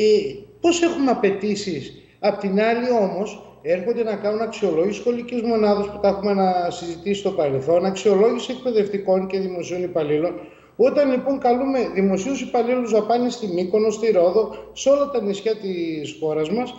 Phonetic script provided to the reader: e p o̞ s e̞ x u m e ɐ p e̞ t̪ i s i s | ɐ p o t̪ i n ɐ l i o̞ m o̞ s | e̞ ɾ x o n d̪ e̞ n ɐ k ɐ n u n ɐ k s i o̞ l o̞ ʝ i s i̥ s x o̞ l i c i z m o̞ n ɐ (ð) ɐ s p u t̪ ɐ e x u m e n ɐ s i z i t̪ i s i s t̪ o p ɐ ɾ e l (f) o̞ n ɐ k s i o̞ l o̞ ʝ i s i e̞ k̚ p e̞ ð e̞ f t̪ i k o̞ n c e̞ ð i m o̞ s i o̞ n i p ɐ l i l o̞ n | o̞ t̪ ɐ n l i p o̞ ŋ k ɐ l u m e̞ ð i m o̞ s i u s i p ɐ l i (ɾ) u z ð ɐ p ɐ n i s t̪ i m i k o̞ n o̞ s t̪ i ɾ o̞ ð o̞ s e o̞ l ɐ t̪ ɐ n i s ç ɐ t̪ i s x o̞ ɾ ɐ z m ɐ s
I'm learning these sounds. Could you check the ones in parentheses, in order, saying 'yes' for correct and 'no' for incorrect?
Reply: yes, no, no

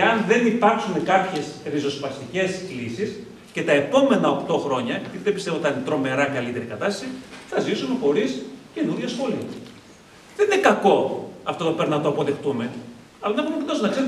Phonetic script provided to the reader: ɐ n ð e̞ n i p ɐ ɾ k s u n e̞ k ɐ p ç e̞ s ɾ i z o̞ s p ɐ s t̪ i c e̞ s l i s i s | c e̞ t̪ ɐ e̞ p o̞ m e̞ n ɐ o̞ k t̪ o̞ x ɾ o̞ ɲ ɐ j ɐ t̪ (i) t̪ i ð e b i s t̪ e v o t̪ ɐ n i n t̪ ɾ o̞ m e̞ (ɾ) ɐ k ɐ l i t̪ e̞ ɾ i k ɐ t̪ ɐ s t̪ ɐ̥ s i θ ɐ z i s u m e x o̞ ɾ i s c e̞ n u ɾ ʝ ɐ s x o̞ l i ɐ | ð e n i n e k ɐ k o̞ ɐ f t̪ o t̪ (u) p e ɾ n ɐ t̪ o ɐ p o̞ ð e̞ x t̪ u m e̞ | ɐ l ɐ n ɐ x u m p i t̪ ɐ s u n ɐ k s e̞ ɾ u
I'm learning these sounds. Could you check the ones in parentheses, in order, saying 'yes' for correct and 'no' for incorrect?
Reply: yes, yes, no

